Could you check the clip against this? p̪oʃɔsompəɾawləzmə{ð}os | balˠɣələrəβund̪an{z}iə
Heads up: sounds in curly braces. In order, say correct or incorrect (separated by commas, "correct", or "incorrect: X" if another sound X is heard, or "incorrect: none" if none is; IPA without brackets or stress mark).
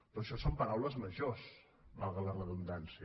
incorrect: ʒ, incorrect: s